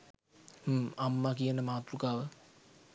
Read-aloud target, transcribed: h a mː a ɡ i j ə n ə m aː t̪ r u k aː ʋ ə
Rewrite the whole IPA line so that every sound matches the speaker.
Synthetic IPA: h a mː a k i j ə n ə m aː t̪ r u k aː ʋ ə